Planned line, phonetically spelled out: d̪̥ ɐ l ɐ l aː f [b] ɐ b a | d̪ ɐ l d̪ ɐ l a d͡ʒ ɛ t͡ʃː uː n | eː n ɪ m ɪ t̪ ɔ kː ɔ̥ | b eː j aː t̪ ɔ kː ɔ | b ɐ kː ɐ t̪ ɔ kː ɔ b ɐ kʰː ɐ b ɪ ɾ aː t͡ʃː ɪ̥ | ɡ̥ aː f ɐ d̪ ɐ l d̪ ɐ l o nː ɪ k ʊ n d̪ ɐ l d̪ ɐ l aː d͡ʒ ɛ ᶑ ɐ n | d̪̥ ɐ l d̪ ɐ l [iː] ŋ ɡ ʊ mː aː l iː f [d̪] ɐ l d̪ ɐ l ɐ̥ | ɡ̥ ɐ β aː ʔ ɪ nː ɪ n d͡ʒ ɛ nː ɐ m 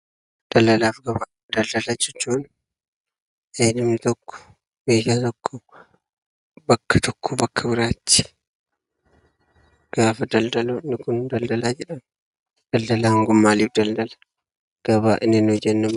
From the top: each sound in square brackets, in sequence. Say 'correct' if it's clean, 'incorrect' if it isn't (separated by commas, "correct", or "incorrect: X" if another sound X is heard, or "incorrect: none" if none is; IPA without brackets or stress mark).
incorrect: ɡ, incorrect: aː, correct